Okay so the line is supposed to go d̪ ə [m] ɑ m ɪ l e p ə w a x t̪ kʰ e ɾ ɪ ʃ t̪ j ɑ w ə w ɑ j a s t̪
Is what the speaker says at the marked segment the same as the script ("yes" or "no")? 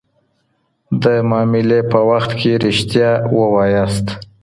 yes